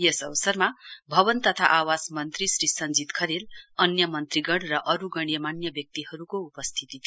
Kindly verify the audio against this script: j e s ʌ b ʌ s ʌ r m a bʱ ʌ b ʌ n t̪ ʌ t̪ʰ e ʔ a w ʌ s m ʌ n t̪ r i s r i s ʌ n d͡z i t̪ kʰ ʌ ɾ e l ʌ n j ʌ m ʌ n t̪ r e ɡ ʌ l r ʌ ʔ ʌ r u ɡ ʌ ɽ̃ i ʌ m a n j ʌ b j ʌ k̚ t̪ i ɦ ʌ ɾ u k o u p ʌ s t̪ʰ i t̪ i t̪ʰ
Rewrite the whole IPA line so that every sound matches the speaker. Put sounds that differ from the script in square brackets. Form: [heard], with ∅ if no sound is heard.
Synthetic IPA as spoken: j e s ʌ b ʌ s ʌ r m a bʱ ʌ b ʌ n t̪ ʌ t̪ʰ [a] ʔ a w [a] s m ʌ n t̪ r i s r i s ʌ n d͡z i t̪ kʰ ʌ ɾ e l ʌ n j ʌ m ʌ n t̪ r [i] ɡ ʌ [ɽ] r ʌ ʔ ʌ [ɾ] u ɡ ʌ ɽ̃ [j] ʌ m a n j ʌ b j ʌ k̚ t̪ i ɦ ʌ ɾ u k o u p ʌ s t̪ʰ i t̪ i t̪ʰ